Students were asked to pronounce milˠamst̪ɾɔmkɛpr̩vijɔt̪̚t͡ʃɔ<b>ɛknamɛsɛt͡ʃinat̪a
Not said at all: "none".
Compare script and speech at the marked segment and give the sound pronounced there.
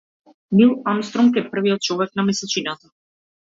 v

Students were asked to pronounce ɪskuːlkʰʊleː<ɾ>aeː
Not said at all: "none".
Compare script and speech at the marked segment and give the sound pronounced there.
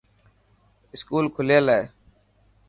l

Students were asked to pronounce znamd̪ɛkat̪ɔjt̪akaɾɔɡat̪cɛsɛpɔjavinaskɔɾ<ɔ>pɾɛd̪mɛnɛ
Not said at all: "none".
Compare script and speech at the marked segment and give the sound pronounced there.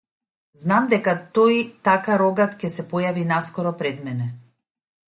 ɔ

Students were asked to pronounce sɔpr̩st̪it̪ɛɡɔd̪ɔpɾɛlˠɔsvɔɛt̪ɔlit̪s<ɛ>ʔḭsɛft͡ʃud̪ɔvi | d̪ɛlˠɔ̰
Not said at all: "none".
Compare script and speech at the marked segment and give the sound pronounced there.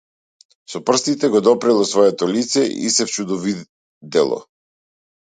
ɛ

